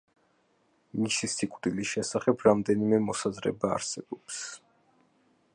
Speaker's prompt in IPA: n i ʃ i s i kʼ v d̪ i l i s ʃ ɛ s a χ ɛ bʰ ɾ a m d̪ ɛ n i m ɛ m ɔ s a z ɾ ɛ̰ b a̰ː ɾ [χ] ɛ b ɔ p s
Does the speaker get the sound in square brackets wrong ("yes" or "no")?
yes